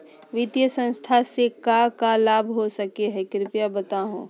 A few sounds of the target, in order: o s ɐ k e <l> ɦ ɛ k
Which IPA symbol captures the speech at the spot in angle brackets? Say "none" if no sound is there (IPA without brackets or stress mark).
none